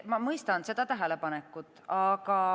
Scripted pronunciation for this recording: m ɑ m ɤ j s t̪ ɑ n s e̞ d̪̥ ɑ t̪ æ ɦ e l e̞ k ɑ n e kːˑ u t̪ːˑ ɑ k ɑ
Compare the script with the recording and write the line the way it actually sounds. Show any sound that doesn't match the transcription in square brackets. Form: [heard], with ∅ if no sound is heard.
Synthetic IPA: m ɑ m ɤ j s t̪ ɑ n s e̞ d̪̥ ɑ t̪ æ ɦ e l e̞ [p] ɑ n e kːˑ u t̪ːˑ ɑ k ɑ